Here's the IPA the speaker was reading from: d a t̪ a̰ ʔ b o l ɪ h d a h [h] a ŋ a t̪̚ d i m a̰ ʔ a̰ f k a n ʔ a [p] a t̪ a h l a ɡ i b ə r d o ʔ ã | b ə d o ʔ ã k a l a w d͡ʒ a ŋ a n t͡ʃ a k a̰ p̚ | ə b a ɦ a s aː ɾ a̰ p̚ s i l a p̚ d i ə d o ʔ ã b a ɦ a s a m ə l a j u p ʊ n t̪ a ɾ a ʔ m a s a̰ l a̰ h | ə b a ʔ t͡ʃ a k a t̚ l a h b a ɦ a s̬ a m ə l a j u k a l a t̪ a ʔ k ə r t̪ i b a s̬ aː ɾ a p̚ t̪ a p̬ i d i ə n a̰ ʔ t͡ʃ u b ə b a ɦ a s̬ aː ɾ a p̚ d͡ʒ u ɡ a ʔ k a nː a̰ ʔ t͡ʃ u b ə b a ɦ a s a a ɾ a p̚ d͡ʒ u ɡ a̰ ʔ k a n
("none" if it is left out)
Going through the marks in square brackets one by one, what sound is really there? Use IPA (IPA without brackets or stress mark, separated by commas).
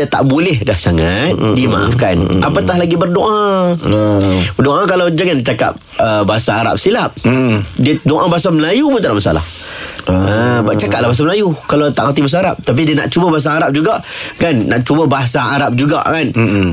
s, p